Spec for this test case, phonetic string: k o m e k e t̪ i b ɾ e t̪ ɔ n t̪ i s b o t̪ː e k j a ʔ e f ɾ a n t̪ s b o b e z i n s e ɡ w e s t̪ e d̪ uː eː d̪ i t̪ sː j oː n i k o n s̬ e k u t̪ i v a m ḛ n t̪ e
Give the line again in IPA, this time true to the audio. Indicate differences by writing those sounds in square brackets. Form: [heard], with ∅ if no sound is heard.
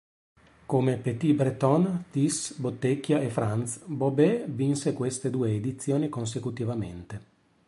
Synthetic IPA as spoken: k o m e [p] e t̪ i b ɾ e t̪ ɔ n t̪ i s b o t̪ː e k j a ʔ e f ɾ a n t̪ s b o b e [v] i n s e [k] w e s t̪ e d̪ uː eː d̪ i t̪ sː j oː n i k o n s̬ e k u t̪ i v a m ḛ n t̪ e